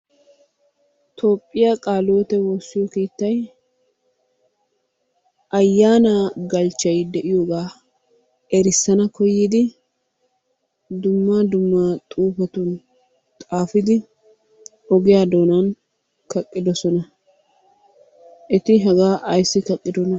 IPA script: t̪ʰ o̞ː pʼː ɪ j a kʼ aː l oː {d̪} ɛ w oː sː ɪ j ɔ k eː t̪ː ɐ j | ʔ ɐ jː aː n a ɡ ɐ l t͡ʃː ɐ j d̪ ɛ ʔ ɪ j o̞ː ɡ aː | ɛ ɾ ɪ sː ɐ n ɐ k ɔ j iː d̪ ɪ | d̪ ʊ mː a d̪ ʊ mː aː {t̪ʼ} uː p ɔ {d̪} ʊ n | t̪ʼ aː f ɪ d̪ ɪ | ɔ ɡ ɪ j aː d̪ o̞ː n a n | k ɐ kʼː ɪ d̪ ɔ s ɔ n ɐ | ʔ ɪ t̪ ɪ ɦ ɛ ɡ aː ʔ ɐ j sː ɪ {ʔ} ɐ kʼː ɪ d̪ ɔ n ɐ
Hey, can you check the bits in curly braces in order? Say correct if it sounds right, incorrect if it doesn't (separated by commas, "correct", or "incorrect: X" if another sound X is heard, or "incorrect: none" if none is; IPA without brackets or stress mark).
incorrect: t̪, correct, incorrect: t̪, incorrect: k